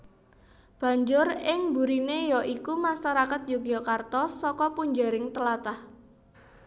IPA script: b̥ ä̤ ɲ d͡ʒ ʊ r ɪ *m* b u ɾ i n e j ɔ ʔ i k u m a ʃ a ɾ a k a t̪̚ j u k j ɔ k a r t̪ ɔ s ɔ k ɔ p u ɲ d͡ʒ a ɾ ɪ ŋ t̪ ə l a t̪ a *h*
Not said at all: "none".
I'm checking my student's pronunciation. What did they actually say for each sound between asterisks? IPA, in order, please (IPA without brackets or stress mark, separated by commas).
ŋ, h